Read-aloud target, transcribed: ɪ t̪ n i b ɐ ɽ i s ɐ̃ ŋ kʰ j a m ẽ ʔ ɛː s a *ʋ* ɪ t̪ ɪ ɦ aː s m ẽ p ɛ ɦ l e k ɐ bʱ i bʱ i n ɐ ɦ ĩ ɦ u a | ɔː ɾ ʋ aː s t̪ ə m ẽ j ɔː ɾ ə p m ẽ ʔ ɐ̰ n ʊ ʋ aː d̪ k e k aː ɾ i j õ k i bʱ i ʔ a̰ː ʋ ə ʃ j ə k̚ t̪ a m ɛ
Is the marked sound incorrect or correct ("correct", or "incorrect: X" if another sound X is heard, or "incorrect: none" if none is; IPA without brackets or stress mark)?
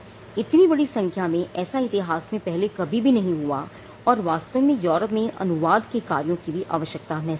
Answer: incorrect: none